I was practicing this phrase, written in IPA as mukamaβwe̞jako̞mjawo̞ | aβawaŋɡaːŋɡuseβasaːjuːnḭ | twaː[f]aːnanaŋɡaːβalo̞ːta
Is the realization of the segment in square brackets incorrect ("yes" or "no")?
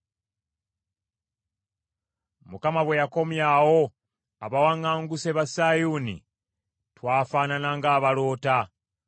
no